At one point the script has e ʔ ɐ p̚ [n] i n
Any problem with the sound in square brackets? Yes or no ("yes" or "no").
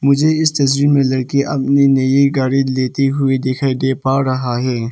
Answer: no